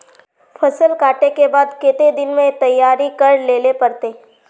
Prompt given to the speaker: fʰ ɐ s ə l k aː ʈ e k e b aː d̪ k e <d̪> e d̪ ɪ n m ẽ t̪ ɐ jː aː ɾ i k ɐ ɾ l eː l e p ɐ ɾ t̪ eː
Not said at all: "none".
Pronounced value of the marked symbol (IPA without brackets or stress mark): t̪